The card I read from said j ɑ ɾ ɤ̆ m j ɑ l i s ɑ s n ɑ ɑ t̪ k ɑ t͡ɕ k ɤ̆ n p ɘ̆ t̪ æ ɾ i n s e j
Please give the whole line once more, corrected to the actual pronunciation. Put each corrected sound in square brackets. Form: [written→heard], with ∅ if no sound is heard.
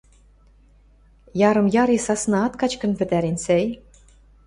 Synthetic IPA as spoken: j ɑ ɾ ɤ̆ m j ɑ [l→ɾ] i s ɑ s n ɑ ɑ t̪ k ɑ t͡ɕ k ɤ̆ n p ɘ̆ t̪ æ ɾ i n s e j